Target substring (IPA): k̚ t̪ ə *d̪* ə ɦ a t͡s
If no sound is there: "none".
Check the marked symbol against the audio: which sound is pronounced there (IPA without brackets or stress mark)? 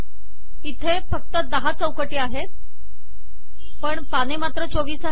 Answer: d̪